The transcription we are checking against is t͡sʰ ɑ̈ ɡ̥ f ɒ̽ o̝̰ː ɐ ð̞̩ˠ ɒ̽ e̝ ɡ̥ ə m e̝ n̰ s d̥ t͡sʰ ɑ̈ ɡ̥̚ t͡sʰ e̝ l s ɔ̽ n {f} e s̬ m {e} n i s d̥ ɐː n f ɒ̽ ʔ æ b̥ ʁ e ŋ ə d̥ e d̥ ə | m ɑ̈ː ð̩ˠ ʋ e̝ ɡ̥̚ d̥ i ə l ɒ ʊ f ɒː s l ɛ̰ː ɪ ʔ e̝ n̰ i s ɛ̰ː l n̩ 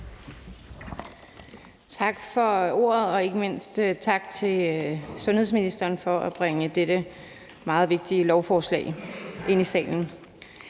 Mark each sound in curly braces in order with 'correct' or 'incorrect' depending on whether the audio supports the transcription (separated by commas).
incorrect, incorrect